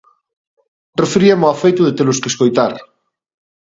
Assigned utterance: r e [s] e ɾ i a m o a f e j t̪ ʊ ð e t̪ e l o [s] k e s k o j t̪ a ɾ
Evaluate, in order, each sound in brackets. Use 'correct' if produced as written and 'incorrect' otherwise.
incorrect, correct

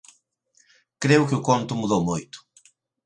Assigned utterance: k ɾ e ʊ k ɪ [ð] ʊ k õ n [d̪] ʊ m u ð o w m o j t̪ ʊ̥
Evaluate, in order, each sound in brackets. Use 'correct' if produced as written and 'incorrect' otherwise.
incorrect, incorrect

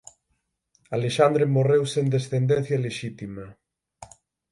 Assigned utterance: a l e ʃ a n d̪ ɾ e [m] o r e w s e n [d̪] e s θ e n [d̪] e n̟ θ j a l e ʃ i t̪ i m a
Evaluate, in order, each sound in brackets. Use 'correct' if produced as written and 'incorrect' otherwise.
correct, correct, correct

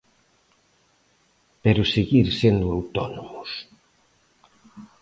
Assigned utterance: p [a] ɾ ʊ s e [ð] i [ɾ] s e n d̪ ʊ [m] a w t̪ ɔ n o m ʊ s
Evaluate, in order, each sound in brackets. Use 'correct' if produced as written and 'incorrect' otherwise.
incorrect, incorrect, correct, incorrect

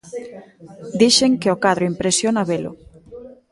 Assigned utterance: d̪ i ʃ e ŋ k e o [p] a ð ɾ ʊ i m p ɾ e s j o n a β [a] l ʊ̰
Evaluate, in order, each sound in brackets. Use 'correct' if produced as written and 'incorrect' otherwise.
incorrect, incorrect

